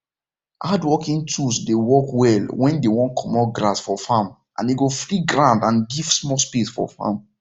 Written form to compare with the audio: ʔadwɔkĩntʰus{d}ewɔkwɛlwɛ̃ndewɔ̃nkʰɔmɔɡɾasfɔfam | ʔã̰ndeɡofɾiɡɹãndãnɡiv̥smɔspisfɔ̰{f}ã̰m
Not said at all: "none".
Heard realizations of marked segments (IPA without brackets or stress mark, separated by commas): d, f